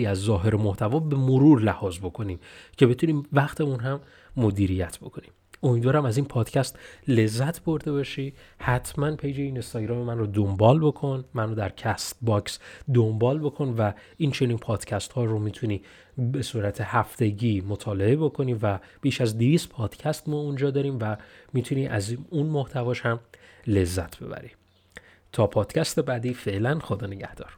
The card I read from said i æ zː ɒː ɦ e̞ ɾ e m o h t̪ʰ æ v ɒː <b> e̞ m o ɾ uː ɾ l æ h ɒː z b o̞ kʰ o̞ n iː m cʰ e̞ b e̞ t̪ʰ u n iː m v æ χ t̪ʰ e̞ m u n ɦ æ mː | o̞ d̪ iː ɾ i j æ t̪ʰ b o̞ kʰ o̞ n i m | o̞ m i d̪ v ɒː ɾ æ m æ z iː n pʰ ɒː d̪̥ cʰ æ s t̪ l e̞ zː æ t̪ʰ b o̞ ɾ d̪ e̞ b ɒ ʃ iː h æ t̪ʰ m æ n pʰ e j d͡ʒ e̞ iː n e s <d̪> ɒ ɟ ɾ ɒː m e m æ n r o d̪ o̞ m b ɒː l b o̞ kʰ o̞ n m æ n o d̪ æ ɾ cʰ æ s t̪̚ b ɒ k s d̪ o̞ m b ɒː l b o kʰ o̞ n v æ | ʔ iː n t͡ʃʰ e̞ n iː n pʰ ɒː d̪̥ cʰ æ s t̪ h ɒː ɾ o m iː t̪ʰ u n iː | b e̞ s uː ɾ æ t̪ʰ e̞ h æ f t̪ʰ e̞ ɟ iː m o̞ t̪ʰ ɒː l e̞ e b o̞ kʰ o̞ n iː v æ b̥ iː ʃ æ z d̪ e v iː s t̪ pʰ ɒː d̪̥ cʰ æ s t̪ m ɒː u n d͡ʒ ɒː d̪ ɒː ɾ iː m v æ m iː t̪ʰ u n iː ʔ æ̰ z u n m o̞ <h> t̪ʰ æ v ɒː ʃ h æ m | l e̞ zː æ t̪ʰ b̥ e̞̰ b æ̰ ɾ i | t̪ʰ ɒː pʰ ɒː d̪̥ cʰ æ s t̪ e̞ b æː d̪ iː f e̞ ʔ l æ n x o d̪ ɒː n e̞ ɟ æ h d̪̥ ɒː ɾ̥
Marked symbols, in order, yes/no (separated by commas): yes, no, yes